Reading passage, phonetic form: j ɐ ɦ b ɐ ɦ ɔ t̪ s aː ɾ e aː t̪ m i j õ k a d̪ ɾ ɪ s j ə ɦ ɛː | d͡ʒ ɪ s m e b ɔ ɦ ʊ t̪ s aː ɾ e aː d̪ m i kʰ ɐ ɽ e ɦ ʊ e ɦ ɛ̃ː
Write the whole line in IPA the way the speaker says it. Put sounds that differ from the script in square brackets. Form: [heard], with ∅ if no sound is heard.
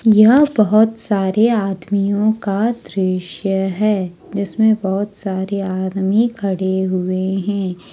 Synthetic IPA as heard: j ɐ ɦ b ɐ ɦ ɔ t̪ s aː ɾ e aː [d̪] m i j õ k a d̪ ɾ ɪ [ʃ] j ə ɦ ɛː | d͡ʒ ɪ s m [ẽ] b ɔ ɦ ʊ t̪ s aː ɾ e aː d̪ m i kʰ ɐ ɽ e ɦ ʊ e ɦ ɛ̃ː